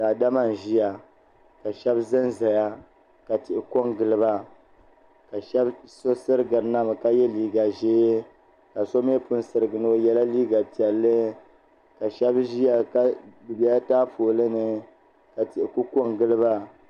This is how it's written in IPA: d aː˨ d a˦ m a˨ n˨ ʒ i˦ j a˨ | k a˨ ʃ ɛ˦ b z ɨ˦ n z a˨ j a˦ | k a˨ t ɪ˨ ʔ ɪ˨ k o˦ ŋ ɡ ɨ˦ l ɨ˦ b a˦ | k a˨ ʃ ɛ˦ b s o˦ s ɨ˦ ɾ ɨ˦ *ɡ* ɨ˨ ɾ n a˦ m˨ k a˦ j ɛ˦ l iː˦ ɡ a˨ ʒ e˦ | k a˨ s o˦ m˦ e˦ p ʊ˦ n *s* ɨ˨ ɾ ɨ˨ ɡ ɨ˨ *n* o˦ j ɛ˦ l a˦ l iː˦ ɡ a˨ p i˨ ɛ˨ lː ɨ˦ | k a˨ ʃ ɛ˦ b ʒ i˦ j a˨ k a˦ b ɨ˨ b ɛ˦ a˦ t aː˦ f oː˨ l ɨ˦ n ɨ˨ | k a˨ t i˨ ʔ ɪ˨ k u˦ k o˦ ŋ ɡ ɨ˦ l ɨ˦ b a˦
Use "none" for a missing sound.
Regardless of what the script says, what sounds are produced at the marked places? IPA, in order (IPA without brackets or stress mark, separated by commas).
ɡ, s, n